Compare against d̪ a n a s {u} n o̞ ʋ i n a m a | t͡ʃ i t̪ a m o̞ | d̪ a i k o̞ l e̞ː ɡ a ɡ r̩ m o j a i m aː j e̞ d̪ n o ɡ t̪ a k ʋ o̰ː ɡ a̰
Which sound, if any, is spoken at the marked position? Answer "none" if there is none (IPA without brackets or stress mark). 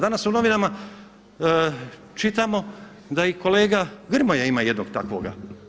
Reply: u